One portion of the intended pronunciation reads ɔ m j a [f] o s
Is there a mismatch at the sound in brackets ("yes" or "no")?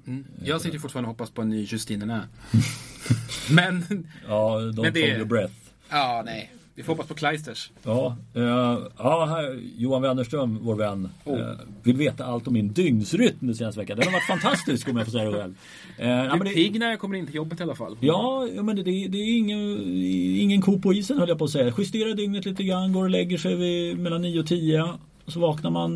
no